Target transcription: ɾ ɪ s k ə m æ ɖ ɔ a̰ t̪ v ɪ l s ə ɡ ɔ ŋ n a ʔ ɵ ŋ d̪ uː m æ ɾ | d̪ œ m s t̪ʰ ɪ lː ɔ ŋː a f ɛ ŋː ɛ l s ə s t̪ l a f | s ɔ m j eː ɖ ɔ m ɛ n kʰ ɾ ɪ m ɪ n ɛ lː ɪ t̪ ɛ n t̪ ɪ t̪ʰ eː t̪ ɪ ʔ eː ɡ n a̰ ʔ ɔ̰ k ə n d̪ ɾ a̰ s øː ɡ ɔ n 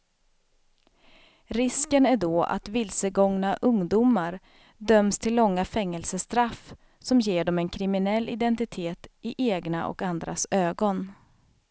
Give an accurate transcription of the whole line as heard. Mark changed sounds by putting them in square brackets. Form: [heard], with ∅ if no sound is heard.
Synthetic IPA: ɾ ɪ s k ə [n] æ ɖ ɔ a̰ t̪ v ɪ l s ə ɡ ɔ ŋ n a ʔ ɵ ŋ d̪ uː m [a] ɾ | d̪ œ m s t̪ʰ ɪ lː ɔ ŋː a f ɛ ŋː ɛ l s ə s t̪ [ɾ] a f | s ɔ m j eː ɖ ɔ m ɛ n kʰ ɾ ɪ m ɪ n ɛ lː ɪ [d̪] ɛ n t̪ ɪ t̪ʰ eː t̪ ɪ ʔ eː ɡ n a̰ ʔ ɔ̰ k [a] n d̪ ɾ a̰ s øː ɡ ɔ n

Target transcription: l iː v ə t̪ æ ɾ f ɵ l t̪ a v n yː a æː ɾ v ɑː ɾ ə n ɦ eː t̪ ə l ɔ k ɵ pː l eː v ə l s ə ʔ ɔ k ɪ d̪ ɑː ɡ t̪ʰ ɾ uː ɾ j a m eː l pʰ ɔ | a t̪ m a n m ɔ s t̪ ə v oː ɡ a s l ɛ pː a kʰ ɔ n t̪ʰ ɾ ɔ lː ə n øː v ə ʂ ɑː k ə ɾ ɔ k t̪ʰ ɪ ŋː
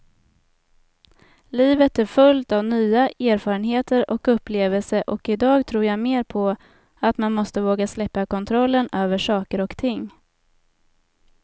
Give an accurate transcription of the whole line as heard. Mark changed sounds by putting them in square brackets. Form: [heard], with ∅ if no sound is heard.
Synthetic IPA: l iː v ə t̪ æ ɾ f ɵ l t̪ a v n yː a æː ɾ [f] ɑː ɾ ə n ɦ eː t̪ ə [ɾ] ɔ k ɵ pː l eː v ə l s ə ʔ ɔ k ɪ d̪ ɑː ɡ t̪ʰ ɾ uː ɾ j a m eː [ɾ] pʰ ɔ | a t̪ m a n m ɔ s t̪ ə v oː ɡ a s l ɛ pː a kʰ ɔ n t̪ʰ ɾ ɔ lː ə n øː v ə ʂ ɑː k ə ɾ ɔ k t̪ʰ ɪ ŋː

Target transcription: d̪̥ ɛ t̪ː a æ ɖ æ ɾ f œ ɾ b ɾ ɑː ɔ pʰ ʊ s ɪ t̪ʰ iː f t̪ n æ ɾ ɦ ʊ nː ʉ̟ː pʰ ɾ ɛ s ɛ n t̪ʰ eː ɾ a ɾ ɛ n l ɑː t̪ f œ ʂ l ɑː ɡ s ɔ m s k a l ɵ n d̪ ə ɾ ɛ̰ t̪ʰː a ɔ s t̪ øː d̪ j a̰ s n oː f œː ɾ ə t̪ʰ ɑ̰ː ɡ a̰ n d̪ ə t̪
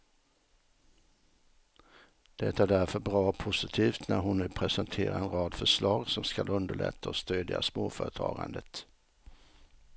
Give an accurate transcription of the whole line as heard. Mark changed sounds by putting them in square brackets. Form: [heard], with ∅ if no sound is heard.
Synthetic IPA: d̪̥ ɛ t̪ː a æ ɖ æ ɾ f œ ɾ b ɾ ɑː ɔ pʰ ʊ s ɪ t̪ʰ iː f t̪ n æ ɾ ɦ ʊ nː ʉ̟ː pʰ ɾ ɛ s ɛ n t̪ʰ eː ɾ a ɾ ɛ n [ɾ] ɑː [d̪] f œ ʂ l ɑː ɡ s ɔ m s k a l ɵ n d̪ ə [ɭ] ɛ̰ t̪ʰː a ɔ s t̪ øː d̪ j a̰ s [m] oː f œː ɾ ə t̪ʰ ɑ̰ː ɡ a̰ n d̪ ə t̪

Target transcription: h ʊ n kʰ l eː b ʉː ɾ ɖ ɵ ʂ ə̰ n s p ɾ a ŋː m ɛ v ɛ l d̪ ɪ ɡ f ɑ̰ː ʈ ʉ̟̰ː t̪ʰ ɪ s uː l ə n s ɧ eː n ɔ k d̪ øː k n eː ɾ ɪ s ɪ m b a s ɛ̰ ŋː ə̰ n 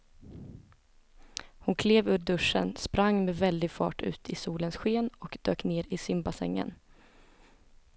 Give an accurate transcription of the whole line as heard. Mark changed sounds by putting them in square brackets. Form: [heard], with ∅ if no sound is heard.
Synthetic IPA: h ʊ n kʰ l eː [v] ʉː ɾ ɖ ɵ ʂ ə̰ n s p ɾ a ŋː m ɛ v ɛ l d̪ ɪ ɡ f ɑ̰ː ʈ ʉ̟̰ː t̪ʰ ɪ s uː l ə n s ɧ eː n ɔ k d̪ øː k n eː ɾ ɪ s ɪ m b a s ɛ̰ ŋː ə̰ n

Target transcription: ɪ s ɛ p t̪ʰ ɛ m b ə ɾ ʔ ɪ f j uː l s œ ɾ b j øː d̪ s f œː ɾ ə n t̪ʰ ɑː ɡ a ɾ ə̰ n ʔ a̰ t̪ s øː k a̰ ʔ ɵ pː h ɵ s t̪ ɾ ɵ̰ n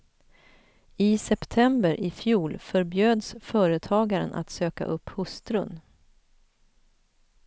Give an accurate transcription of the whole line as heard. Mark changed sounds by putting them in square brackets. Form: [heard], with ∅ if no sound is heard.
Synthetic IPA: ɪ s ɛ p t̪ʰ ɛ m b ə ɾ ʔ ɪ f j uː l [f] œ ɾ b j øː d̪ s f œː ɾ ə [∅] t̪ʰ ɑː ɡ a ɾ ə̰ n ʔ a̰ t̪ s øː k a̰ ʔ ɵ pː h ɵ s t̪ ɾ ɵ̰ n

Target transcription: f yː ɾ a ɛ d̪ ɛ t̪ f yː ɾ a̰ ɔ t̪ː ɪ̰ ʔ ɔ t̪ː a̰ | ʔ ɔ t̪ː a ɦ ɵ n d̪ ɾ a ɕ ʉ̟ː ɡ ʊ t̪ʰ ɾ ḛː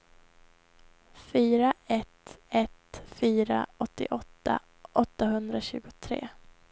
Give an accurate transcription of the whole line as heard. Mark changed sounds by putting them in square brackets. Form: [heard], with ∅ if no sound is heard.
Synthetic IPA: f yː ɾ a ɛ [t̪] ɛ t̪ f yː ɾ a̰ ɔ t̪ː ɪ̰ ʔ ɔ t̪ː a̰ | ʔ ɔ t̪ː a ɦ ɵ n d̪ ɾ a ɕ ʉ̟ː ɡ ʊ t̪ʰ ɾ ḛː

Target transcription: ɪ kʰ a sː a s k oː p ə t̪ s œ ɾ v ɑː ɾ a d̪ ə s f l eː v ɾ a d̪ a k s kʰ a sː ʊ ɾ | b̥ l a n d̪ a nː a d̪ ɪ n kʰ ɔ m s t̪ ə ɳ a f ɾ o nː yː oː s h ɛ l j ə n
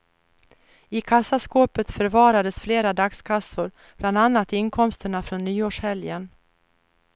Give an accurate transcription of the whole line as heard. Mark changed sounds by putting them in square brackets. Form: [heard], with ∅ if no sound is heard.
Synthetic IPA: ɪ kʰ a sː a s k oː p ə t̪ [f] œ ɾ v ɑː ɾ a d̪ ə s f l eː [∅] ɾ a d̪ a k s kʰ a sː ʊ ɾ | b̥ l a n d̪ a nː a [t̪] ɪ n kʰ ɔ m s t̪ ə ɳ a f ɾ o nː yː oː [ʂ] h ɛ l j ə n

